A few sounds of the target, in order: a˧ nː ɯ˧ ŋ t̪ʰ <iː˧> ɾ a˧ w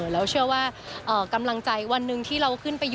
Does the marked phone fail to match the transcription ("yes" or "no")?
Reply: yes